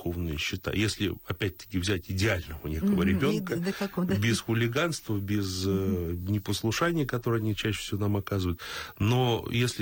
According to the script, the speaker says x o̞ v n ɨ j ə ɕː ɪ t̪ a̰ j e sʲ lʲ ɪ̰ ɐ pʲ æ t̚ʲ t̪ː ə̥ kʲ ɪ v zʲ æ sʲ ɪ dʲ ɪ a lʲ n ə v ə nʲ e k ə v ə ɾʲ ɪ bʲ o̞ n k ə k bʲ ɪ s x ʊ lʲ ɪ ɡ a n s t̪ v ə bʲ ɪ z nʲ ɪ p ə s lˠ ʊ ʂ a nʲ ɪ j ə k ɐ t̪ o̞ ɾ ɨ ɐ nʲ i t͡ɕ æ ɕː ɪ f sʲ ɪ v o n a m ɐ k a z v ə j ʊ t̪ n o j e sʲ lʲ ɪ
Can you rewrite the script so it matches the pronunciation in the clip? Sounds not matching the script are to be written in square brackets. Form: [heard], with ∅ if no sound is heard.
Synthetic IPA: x o̞ v n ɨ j ə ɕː ɪ t̪ a̰ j e sʲ lʲ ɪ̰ ɐ pʲ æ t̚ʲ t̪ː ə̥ kʲ ɪ v zʲ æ [tʲ] ɪ dʲ ɪ a lʲ n ə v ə nʲ e k ə v ə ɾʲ ɪ bʲ o̞ n k ə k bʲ ɪ s x ʊ lʲ ɪ ɡ a n s t̪ v ə bʲ ɪ z nʲ ɪ p ə s lˠ ʊ ʂ a nʲ ɪ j ə k ɐ t̪ o̞ ɾ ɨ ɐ nʲ i t͡ɕ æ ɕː ɪ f sʲ ɪ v o n a m ɐ k a z v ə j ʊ t̪ n o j e sʲ lʲ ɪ